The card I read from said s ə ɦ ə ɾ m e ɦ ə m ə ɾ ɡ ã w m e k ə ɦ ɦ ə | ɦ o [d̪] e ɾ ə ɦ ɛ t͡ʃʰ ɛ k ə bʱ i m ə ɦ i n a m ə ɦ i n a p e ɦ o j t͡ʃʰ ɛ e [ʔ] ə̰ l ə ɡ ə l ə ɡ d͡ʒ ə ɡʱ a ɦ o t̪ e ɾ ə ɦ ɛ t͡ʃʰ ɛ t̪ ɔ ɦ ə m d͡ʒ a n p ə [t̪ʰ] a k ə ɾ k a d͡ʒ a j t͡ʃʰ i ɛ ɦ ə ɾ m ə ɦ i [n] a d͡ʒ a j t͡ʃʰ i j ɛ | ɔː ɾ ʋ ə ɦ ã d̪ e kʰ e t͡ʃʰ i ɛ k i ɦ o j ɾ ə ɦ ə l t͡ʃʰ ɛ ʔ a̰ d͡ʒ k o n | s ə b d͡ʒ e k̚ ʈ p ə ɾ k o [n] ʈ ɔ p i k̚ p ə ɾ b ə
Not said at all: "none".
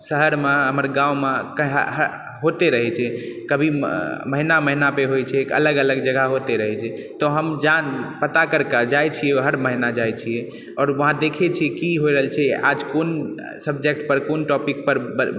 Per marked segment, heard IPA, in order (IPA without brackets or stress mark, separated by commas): t̪, k, t̪, n, n